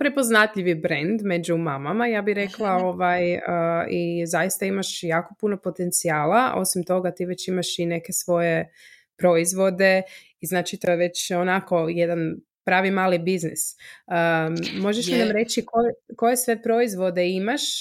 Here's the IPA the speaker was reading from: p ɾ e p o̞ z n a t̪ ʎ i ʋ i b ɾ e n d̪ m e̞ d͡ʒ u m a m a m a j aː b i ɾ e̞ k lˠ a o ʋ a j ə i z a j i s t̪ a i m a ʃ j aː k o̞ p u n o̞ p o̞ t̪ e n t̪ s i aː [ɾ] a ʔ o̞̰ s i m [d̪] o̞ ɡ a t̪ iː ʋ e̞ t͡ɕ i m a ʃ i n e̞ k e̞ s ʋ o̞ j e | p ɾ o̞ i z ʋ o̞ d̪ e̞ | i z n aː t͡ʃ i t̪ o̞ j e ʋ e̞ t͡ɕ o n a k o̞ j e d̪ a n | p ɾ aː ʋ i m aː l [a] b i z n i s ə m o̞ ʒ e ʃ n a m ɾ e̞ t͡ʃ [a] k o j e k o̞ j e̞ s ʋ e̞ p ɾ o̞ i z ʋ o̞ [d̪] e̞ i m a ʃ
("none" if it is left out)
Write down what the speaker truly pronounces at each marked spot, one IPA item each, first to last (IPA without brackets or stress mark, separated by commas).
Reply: l, t̪, i, i, d̪